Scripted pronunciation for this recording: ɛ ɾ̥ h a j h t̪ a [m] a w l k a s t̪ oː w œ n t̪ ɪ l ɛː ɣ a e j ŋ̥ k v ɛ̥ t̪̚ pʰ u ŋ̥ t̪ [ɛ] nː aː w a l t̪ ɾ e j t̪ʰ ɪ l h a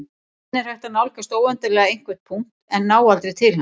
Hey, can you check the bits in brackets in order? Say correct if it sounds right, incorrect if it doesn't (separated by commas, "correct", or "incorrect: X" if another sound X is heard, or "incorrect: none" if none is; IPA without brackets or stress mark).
incorrect: n, correct